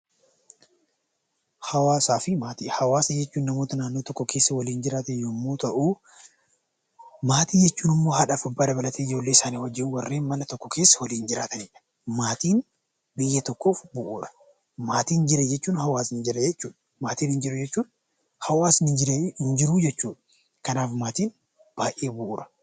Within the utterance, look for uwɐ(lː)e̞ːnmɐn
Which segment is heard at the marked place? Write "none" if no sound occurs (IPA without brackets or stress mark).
rː